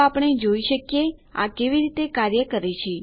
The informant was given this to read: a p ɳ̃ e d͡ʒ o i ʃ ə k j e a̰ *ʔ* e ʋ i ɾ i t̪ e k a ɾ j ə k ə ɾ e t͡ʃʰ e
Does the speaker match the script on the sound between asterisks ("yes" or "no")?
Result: no